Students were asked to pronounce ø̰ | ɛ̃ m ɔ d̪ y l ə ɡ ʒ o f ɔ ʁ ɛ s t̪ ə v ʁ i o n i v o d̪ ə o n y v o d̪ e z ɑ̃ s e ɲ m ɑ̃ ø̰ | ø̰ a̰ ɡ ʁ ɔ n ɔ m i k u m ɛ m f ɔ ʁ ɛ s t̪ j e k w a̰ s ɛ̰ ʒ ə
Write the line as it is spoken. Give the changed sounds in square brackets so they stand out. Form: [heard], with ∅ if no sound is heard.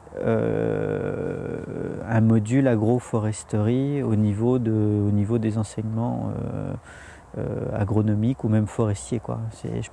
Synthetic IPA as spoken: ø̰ | ɛ̃ m ɔ d̪ y l [a] ɡ [ʁ] o f ɔ ʁ ɛ s t̪ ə [∅] ʁ i o n i v o d̪ ə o n [i] v o d̪ e z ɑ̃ s [ɛ] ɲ m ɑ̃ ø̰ | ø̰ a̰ ɡ ʁ ɔ n ɔ m i k u m ɛ m f ɔ ʁ ɛ s t̪ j e k w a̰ s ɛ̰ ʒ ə